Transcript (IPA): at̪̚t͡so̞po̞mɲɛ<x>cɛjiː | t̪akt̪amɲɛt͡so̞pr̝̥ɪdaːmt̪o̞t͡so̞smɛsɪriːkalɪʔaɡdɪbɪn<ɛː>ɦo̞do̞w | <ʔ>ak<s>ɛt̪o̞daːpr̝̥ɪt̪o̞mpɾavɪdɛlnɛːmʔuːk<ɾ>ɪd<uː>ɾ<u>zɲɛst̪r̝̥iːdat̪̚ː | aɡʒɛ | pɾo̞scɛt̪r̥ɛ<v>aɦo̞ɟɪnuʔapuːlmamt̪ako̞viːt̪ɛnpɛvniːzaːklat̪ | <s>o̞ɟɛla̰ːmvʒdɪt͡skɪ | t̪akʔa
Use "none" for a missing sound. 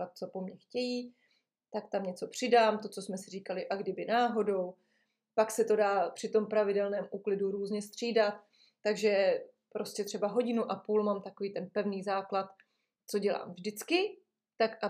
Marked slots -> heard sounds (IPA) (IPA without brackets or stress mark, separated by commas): x, aː, p, s, l, u, uː, b, t͡s